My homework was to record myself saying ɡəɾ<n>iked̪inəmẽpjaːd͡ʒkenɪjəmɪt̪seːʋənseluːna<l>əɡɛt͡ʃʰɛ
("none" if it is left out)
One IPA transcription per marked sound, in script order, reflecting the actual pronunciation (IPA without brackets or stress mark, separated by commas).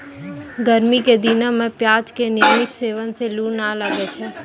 m, l